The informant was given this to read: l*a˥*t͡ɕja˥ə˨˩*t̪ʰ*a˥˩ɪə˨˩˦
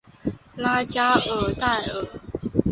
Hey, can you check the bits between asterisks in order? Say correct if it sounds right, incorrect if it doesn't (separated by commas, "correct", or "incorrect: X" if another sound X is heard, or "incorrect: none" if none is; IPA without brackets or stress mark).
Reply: correct, incorrect: t̪